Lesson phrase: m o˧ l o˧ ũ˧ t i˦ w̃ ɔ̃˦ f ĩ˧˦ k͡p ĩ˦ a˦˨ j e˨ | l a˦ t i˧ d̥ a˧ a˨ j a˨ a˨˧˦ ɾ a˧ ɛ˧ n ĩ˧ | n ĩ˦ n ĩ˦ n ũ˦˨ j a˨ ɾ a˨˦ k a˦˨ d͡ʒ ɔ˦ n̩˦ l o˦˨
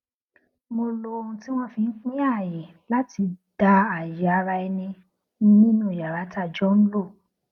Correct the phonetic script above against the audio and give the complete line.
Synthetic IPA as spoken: m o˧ l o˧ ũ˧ t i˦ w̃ ɔ̃˦ f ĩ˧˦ k͡p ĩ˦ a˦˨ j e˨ | l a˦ t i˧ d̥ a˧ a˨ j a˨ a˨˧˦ ɾ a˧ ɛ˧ n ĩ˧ | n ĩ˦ n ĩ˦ n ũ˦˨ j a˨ ɾ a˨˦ t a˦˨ d͡ʒ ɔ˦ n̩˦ l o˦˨

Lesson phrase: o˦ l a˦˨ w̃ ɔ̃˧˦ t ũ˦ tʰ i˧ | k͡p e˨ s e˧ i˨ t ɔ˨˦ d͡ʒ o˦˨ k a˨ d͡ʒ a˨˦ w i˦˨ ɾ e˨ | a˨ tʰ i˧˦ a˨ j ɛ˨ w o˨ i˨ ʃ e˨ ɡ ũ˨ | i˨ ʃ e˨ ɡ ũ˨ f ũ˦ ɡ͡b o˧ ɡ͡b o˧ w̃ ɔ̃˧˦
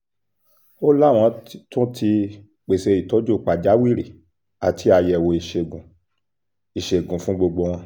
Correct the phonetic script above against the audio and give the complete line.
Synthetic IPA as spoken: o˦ l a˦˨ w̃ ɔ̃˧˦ t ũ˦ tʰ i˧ | k͡p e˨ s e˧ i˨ t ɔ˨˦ d͡ʒ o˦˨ k͡p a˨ d͡ʒ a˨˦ w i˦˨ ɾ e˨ | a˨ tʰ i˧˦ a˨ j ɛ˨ w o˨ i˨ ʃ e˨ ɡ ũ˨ | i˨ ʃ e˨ ɡ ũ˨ f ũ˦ ɡ͡b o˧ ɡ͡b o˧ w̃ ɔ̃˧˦

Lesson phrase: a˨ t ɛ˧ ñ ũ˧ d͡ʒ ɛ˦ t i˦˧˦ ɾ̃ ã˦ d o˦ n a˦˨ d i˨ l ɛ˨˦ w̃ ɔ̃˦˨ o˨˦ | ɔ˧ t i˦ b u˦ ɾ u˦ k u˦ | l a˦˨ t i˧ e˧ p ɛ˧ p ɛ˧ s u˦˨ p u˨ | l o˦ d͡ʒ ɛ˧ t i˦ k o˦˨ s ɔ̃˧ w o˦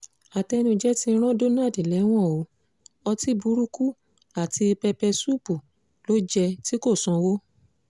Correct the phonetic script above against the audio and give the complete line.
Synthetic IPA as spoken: a˨ t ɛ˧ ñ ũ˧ d͡ʒ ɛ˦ t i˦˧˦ ɾ̃ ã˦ d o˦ n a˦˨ d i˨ l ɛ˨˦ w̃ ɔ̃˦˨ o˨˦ | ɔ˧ t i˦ b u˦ ɾ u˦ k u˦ | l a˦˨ t i˧ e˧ p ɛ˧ p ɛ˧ s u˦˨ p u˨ | l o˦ d͡ʒ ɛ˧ t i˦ k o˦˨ s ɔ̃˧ w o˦

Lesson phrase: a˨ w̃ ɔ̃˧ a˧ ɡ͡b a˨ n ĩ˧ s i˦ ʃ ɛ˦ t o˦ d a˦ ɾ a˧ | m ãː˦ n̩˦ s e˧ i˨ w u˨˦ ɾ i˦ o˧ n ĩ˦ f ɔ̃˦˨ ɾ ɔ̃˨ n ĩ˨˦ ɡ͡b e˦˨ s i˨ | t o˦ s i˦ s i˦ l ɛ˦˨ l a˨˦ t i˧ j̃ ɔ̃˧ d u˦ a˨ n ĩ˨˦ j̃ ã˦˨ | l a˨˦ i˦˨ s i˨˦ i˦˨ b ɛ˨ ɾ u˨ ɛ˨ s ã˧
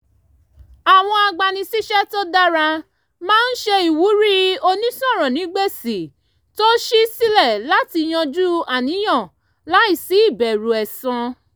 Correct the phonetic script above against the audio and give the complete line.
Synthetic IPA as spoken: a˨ w̃ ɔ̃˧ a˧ ɡ͡b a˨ n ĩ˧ s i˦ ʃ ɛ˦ t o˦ d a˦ ɾ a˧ | m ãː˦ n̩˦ ʃ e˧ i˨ w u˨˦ ɾ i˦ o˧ n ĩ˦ s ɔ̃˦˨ ɾ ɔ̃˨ n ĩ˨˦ ɡ͡b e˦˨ s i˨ | t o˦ ʃ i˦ s i˦ l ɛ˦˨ l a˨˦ t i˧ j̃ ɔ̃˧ d͡ʒ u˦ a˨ n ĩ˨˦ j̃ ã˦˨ | l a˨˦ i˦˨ s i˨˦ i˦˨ b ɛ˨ ɾ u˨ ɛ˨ s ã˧

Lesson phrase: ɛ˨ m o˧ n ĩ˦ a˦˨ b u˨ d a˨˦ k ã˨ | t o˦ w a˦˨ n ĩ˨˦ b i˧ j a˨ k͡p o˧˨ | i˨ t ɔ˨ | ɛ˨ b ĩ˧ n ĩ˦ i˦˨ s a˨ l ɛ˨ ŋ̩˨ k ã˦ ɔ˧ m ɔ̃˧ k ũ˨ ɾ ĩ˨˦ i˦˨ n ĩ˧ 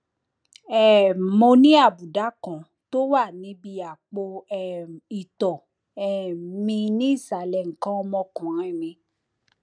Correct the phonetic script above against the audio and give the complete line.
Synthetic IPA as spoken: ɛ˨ m o˧ n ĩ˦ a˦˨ b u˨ d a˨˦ k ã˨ | t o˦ w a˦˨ n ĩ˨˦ b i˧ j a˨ k͡p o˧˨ | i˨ t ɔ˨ | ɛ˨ m ĩ˧ n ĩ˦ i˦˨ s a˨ l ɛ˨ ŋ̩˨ k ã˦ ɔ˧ m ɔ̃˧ k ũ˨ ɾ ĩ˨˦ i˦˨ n ĩ˧

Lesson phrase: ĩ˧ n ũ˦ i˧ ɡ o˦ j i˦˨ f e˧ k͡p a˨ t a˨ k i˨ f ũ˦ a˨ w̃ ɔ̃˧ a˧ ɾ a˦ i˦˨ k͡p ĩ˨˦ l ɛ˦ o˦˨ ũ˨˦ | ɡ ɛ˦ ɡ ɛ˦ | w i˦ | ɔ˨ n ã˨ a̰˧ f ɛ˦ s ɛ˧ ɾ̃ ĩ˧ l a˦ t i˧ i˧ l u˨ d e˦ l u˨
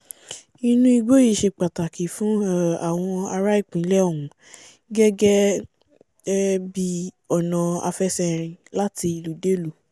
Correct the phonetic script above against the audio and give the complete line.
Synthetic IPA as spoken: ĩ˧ n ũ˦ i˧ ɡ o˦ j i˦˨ ʃ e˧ k͡p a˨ t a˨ k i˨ f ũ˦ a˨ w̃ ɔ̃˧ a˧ ɾ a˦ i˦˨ k͡p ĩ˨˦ l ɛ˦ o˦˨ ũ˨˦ | ɡ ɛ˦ ɡ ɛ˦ | b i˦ | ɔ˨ n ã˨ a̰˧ f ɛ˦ s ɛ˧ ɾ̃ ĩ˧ l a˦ t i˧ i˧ l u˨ d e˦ l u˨

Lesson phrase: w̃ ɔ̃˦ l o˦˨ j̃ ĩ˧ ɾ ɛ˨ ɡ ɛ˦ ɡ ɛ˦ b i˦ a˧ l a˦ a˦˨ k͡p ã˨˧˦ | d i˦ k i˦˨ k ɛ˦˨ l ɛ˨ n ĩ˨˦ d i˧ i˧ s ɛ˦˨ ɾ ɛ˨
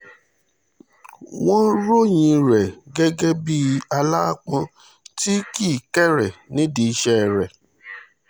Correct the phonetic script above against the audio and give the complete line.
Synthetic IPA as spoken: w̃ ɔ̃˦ ɾ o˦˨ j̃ ĩ˧ ɾ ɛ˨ ɡ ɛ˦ ɡ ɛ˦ b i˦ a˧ l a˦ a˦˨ k͡p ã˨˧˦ | t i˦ k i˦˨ k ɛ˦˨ ɾ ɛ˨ n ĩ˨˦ d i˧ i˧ ʃ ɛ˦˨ ɾ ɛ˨

